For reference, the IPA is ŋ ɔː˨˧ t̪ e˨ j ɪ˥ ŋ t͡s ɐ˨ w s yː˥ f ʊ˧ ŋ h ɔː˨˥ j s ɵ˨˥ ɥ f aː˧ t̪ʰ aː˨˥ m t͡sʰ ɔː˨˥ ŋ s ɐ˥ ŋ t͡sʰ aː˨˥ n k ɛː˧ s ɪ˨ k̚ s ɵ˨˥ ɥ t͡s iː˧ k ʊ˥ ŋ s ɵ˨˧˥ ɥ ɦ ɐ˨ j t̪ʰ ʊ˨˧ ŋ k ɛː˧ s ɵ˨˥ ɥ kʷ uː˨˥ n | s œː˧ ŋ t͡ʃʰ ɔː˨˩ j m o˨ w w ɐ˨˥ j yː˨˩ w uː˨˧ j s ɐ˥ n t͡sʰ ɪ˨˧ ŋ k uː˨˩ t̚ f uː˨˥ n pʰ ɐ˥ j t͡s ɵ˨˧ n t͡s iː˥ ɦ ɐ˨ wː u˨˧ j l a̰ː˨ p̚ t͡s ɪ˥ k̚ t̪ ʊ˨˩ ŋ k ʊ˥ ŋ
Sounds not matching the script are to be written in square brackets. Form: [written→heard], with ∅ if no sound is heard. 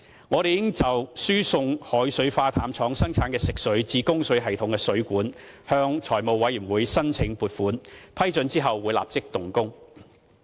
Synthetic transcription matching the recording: ŋ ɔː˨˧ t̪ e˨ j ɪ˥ ŋ t͡s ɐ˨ w s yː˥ [f→s] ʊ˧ ŋ h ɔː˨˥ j s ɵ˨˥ ɥ f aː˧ t̪ʰ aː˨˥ m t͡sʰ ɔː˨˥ ŋ s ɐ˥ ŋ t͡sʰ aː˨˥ n k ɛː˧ s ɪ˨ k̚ s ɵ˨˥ ɥ t͡s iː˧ k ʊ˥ ŋ s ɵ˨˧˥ ɥ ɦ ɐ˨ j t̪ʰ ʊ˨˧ ŋ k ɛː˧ s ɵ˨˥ ɥ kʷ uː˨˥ n | [s→h] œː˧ ŋ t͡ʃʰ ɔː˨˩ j m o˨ w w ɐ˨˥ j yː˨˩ w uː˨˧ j s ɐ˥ n t͡sʰ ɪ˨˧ ŋ [k→p] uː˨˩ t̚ f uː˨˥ n pʰ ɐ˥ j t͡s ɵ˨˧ n t͡s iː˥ ɦ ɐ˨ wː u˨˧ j l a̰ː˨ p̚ t͡s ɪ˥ k̚ t̪ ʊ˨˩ ŋ k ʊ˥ ŋ